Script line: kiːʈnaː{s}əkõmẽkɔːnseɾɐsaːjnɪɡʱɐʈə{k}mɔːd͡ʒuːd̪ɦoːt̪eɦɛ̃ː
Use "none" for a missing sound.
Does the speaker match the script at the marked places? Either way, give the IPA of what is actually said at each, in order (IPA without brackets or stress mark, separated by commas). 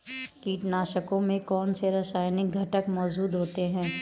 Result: ʃ, k